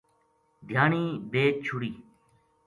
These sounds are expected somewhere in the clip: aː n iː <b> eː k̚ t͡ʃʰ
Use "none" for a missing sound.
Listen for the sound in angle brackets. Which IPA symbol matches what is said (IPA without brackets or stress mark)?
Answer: b